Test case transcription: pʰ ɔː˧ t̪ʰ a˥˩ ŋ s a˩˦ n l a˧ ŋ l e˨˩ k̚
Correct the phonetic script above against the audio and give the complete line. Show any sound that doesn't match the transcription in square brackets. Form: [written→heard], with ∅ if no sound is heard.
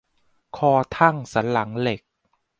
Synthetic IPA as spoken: [pʰ→kʰ] ɔː˧ t̪ʰ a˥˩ ŋ s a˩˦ n l [a˧→a˩˦] ŋ l e˨˩ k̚